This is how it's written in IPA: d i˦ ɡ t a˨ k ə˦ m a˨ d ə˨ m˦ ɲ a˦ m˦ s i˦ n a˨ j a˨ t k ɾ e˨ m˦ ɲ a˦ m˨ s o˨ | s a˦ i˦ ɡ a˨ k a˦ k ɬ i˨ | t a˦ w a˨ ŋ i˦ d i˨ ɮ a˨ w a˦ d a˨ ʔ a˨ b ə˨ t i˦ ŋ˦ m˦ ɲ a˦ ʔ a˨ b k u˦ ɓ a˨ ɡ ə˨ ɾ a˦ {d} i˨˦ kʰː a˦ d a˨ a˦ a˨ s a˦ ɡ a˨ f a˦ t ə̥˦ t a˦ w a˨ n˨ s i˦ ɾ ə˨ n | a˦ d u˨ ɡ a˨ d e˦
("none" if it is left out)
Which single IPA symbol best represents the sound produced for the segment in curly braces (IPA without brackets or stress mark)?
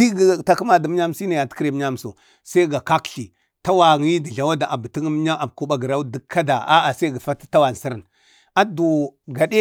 d